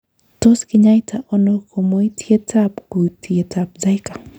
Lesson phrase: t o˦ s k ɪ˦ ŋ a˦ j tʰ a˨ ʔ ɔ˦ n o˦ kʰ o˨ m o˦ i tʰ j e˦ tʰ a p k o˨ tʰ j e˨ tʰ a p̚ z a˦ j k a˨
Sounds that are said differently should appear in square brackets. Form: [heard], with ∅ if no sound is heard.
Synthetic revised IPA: t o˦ s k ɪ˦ [ɲ] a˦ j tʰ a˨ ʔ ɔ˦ n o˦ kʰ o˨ m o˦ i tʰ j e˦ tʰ a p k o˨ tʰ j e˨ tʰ a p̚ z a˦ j k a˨